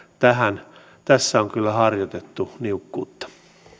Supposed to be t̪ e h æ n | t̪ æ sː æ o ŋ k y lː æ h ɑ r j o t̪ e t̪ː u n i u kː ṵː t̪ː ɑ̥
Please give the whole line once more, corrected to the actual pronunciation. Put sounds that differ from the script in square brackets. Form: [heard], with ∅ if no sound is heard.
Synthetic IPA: t̪ [æ] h æ n | t̪ æ sː æ o ŋ k y lː æ h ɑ r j o t̪ e t̪ː u n i u kː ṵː t̪ː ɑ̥